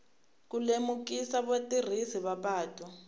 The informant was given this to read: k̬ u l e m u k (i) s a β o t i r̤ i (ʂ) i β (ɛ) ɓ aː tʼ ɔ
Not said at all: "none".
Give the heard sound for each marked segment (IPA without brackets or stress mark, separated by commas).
i, s, a